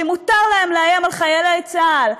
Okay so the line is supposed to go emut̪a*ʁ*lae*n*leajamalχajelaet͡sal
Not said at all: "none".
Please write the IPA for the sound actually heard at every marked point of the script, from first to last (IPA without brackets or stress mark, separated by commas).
ʁ, m